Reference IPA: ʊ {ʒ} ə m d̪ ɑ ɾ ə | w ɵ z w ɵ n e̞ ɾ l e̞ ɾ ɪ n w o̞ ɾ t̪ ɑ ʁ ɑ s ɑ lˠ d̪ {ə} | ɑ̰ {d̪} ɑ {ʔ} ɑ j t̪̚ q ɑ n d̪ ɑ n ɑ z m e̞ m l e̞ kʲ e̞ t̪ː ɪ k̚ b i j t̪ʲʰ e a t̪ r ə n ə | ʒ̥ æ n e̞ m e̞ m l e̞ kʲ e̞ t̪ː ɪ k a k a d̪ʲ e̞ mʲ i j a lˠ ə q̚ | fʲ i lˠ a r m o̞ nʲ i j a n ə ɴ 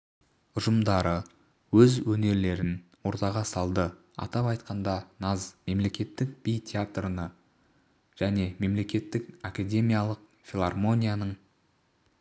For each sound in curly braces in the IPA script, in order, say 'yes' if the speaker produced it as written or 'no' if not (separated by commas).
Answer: yes, yes, no, no